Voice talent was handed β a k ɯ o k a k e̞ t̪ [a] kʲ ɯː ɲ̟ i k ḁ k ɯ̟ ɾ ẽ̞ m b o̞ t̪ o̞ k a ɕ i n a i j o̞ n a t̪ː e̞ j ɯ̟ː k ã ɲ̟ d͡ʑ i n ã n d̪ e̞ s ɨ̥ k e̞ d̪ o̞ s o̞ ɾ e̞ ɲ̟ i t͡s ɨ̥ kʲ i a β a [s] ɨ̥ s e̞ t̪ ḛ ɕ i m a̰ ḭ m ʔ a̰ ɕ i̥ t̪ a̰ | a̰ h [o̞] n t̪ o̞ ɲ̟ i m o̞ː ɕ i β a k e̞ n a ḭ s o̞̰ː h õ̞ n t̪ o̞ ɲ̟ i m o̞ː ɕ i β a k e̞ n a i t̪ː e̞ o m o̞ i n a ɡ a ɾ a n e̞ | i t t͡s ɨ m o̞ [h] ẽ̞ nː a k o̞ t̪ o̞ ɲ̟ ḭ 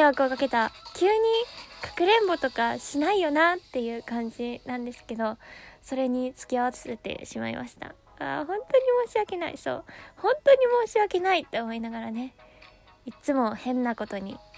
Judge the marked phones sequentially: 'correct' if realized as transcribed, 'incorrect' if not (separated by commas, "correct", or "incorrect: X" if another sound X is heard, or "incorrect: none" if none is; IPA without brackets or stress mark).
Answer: correct, incorrect: t͡s, incorrect: õ̞, correct